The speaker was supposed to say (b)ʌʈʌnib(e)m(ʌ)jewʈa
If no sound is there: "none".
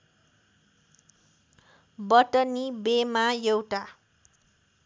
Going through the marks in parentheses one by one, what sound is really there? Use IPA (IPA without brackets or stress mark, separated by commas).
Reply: b, e, a